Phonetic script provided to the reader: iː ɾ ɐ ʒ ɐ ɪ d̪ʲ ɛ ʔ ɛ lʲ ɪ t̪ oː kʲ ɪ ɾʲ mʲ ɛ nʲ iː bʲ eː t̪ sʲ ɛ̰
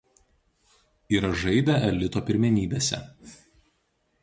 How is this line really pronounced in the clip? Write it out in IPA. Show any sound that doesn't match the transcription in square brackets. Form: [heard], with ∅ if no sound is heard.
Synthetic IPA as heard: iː ɾ ɐ ʒ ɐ ɪ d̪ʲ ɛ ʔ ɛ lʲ ɪ t̪ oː [pʲ] ɪ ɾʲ mʲ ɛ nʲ iː bʲ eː [∅] sʲ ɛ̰